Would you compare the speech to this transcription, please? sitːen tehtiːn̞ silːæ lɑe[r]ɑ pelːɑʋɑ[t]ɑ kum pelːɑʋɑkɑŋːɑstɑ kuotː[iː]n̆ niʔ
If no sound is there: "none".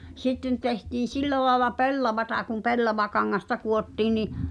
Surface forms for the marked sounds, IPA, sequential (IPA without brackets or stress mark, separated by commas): l, t, iː